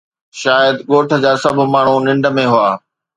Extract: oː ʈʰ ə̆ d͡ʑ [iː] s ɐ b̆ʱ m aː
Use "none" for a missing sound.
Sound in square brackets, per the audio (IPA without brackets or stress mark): aː